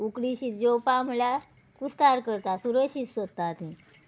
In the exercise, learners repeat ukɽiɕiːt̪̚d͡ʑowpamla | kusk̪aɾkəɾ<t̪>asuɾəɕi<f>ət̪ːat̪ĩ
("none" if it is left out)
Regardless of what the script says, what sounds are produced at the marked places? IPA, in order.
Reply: t̪, s

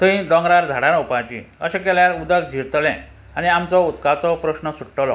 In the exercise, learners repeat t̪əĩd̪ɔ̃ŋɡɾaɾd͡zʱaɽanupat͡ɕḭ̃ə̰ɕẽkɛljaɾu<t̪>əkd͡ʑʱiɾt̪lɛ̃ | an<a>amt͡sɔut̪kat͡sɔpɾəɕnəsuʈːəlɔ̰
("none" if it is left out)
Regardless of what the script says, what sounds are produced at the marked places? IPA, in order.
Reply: d̪, i

